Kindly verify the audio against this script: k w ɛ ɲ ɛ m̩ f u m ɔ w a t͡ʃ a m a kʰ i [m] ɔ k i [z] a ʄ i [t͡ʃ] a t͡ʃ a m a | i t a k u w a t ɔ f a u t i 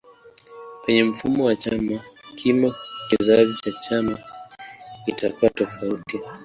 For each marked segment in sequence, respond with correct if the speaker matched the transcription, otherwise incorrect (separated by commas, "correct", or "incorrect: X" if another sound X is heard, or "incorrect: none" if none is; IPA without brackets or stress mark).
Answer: correct, correct, correct